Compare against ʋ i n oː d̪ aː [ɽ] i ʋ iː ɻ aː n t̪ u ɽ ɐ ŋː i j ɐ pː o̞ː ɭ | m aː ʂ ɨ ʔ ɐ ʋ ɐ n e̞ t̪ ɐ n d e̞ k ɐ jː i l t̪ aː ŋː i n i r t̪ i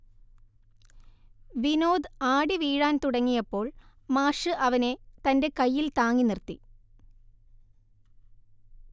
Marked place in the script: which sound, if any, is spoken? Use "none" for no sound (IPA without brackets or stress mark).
ɽ